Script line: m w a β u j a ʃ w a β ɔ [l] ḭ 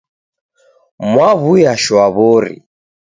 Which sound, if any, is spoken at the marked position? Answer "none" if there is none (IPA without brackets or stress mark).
ɾ